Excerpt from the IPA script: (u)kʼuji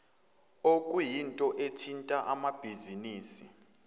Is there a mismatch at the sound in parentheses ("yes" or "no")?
yes